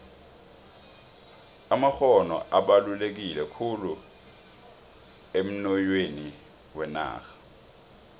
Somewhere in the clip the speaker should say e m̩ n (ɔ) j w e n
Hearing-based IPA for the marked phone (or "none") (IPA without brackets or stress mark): ɔ